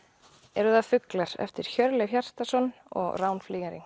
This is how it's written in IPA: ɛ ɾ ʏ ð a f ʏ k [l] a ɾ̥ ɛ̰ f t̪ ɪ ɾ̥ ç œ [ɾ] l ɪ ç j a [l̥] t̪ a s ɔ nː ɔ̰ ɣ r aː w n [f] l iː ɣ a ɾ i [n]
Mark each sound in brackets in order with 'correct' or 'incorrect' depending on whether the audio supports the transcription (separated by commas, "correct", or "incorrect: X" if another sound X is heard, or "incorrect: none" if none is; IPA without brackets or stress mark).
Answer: correct, correct, incorrect: r̥, correct, incorrect: ŋ